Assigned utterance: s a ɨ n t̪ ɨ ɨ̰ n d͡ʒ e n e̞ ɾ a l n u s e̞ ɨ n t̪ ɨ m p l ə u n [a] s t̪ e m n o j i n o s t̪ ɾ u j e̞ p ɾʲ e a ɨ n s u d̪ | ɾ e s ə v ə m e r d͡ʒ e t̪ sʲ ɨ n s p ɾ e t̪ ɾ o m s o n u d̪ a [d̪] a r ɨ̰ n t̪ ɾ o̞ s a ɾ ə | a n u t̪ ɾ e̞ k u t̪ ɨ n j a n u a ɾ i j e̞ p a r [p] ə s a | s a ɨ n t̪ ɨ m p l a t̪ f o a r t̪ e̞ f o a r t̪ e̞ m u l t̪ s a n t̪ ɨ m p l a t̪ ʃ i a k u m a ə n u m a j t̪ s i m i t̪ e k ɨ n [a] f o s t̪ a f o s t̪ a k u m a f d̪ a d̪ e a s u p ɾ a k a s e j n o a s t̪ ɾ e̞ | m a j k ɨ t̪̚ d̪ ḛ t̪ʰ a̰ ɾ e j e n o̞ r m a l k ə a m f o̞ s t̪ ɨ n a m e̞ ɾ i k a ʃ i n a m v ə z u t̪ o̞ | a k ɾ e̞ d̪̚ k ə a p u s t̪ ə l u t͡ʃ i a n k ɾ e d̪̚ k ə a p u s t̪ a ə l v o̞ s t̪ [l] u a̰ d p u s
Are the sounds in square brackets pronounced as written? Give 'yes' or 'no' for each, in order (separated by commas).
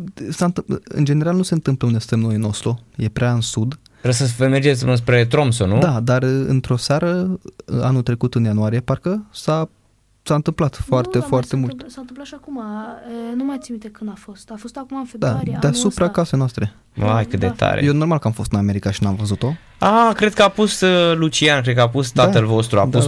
no, yes, no, yes, no